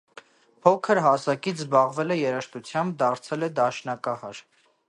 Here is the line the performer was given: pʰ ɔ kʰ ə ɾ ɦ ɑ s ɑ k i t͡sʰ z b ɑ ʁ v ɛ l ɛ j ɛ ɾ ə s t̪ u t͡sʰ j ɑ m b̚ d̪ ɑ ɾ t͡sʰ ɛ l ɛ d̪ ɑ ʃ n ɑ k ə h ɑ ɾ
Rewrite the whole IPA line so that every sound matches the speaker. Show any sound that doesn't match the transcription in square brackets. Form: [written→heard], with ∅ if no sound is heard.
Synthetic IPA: pʰ ɔ kʰ ə ɾ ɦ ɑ s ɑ k i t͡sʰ z b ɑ ʁ v ɛ l ɛ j ɛ ɾ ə [s→ʃ] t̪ u t͡sʰ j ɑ m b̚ d̪ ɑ ɾ t͡sʰ ɛ l ɛ d̪ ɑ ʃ n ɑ k [ə→ɑ] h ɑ ɾ